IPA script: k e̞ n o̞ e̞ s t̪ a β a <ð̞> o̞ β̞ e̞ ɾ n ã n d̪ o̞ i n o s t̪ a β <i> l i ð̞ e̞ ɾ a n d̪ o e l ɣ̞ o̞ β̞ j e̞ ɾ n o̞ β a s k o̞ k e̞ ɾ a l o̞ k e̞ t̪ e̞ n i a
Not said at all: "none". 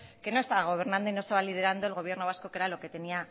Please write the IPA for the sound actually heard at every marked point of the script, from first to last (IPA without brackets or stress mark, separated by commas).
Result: ɣ̞, a